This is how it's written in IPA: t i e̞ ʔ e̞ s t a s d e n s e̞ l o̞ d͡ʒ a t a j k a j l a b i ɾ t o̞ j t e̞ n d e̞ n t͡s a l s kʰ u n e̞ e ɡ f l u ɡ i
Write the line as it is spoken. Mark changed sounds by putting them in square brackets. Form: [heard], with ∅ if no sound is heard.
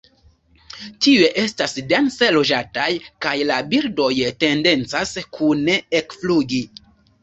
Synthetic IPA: t i e̞ ʔ e̞ s t a s d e n s e̞ l o̞ d͡ʒ a t a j k a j l a b i ɾ [d] o̞ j t e̞ n d e̞ n t͡s a [∅] s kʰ u n e̞ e [k] f l u ɡ i